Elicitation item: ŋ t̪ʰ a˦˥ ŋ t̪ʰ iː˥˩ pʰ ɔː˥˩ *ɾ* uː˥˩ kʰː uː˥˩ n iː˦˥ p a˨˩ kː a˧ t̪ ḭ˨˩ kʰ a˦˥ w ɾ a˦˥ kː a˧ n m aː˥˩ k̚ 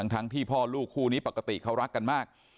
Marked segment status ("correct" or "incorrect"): incorrect